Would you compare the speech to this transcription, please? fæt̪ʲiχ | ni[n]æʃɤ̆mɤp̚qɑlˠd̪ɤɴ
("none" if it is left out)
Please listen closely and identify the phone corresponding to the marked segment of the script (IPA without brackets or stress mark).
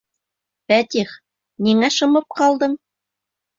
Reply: ŋ